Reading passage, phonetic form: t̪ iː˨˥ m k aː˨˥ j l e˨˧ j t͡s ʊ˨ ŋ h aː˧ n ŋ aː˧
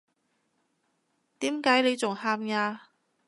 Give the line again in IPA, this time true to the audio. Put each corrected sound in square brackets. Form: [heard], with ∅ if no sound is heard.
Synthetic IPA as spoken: t̪ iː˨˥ m k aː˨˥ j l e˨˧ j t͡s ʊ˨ ŋ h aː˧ [m] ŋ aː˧